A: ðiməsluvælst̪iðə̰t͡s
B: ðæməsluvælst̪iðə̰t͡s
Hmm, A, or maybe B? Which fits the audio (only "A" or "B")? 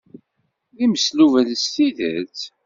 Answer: A